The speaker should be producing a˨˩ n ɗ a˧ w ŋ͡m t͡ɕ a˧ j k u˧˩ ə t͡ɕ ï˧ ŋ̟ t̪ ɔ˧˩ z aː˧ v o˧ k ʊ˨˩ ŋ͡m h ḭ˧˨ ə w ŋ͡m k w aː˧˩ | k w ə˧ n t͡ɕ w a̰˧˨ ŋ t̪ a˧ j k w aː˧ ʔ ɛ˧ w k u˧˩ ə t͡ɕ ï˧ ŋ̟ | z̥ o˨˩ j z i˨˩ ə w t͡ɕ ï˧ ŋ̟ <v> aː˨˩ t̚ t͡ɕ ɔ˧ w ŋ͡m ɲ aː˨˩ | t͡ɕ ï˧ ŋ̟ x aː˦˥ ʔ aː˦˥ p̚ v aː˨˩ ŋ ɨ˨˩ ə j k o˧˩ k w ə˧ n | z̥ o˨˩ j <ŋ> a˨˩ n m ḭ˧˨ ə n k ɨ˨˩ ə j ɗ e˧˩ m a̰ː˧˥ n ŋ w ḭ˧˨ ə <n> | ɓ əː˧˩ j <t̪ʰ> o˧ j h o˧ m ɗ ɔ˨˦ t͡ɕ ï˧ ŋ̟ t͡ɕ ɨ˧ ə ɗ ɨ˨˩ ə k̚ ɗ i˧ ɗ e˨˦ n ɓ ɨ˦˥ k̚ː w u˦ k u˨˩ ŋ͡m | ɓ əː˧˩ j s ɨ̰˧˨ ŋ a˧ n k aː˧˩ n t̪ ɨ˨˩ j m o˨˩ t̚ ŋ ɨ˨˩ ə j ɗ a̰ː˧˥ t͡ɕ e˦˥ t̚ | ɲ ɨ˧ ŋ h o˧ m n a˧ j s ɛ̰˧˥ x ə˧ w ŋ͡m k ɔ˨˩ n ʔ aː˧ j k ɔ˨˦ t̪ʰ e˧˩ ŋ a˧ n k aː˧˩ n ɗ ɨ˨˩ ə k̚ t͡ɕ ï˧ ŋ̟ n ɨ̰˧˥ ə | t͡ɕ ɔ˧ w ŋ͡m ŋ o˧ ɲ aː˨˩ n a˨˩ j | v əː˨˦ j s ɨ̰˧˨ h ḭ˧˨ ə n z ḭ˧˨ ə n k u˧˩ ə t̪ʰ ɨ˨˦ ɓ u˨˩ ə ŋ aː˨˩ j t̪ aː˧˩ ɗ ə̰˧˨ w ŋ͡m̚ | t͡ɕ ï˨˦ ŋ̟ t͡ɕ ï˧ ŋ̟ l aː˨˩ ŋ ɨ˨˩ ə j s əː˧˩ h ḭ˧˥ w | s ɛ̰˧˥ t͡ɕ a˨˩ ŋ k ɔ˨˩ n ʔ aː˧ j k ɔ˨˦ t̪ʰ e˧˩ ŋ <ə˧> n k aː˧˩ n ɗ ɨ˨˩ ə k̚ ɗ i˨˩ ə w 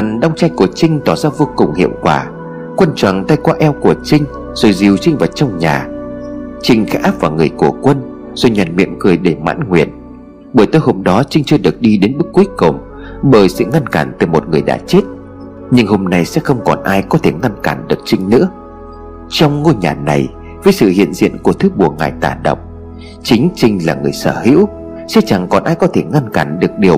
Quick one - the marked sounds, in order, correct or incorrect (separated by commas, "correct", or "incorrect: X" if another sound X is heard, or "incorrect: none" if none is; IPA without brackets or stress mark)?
correct, incorrect: ɲ, correct, incorrect: t̪, incorrect: a˧